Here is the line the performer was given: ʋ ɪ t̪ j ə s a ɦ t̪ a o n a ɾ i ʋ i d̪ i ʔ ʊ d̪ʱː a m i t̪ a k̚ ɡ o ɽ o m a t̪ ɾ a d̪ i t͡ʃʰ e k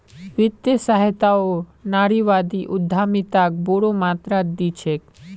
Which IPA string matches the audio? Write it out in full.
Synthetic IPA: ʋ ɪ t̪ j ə s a ɦ t̪ a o n a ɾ i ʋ a d̪ i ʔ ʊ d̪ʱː a m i t̪ a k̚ b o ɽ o m a t̪ ɾ a d̪ i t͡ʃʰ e k